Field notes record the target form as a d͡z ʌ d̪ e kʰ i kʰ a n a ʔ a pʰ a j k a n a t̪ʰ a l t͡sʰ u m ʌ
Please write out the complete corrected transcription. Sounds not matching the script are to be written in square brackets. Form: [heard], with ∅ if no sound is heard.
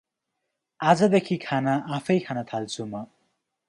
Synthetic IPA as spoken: a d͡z ʌ d̪ e kʰ i kʰ a n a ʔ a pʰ [ʌ] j [kʰ] a n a t̪ʰ a l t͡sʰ u m ʌ